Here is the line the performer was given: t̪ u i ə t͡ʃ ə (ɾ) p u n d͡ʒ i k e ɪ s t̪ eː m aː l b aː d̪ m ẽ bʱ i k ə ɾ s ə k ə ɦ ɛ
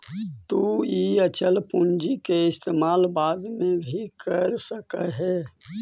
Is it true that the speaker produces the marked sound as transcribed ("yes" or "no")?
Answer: no